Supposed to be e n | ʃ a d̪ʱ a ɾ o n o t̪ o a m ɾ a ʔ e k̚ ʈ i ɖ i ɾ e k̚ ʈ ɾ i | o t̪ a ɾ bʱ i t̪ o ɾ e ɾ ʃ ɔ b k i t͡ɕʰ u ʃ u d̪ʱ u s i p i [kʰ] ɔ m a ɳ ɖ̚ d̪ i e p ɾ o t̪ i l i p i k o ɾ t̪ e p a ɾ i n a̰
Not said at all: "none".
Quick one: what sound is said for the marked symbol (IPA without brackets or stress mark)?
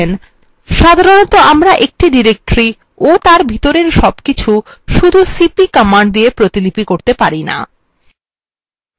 k